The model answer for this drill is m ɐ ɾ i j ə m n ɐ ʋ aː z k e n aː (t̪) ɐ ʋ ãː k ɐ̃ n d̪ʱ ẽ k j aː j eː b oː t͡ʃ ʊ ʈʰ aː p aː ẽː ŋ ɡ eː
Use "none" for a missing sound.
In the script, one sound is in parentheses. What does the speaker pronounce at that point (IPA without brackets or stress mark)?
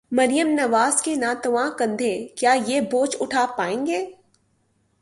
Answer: t̪